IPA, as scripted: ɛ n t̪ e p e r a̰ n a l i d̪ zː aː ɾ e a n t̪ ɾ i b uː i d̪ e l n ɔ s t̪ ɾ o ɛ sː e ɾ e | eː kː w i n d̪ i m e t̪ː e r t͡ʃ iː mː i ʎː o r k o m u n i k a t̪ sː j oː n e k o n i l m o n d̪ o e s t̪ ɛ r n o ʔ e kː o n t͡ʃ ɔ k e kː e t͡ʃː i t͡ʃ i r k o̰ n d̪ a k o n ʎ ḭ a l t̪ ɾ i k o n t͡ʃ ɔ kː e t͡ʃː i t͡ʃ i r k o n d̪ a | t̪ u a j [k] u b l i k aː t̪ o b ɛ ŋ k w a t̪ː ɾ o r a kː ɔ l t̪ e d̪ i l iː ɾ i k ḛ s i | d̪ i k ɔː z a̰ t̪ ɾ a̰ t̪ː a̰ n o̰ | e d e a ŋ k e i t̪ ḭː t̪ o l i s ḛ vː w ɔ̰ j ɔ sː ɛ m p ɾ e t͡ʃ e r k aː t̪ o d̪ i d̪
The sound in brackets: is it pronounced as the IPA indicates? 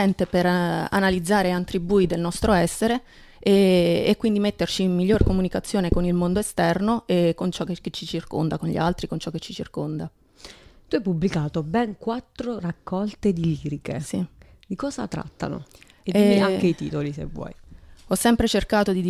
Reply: no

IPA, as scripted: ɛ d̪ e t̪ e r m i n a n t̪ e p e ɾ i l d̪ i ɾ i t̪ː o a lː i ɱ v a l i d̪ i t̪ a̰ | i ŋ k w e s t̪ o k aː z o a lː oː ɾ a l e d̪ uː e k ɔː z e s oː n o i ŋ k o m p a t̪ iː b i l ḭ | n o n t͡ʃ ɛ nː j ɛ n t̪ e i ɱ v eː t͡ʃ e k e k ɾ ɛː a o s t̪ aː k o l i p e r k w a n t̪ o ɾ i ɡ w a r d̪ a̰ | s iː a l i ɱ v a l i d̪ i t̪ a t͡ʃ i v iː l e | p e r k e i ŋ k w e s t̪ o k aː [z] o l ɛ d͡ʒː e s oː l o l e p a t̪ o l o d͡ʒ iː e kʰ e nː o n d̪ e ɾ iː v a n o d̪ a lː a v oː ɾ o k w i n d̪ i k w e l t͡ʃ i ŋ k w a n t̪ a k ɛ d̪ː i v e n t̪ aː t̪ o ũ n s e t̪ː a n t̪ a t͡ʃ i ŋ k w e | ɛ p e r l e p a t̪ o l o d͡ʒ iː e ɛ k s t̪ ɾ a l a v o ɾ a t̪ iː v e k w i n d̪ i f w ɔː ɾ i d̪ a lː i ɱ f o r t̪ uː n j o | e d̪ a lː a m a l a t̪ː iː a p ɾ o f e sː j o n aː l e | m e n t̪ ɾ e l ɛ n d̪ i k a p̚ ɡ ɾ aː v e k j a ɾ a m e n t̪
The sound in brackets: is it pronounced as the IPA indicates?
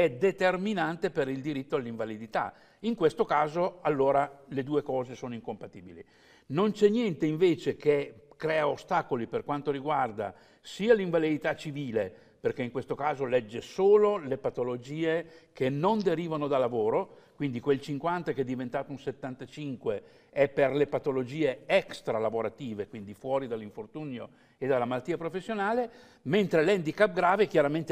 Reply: yes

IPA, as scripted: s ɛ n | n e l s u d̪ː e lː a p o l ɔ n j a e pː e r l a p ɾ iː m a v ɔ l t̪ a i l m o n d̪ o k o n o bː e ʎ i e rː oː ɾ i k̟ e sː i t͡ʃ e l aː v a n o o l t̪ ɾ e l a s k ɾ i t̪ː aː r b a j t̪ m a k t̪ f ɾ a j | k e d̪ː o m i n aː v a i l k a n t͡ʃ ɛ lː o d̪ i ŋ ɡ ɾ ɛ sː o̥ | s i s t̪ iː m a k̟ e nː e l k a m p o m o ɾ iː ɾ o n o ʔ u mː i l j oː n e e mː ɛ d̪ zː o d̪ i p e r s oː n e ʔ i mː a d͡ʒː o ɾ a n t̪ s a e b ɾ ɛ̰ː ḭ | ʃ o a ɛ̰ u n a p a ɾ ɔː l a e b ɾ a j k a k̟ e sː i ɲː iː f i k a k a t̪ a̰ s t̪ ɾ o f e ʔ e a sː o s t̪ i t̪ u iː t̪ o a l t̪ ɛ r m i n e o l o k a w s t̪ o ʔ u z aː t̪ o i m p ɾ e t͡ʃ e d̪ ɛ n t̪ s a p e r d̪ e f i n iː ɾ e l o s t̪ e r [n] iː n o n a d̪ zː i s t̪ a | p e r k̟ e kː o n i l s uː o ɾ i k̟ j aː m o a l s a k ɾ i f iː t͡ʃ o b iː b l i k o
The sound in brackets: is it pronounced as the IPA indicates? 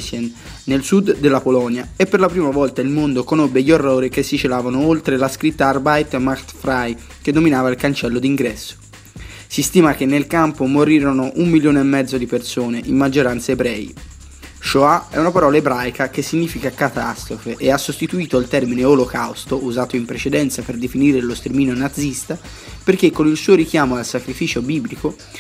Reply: no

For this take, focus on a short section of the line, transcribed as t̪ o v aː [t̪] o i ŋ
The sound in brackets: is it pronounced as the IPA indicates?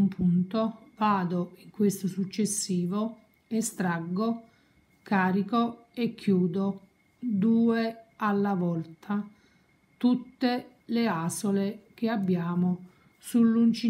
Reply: no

